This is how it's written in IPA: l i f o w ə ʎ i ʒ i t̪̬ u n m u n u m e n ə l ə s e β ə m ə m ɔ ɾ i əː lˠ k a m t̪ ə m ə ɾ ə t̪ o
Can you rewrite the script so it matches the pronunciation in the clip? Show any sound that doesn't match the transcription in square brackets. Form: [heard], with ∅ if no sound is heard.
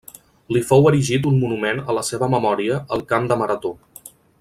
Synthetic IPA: l i f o w ə [ɾ] i ʒ i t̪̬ u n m u n u m e n ə l ə s e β ə m ə m ɔ ɾ i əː lˠ k a m [d̪] ə m ə ɾ ə t̪ o